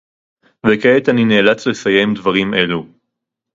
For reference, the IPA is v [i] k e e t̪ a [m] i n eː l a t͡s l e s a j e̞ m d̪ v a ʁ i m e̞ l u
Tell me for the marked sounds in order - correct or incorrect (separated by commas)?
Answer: incorrect, incorrect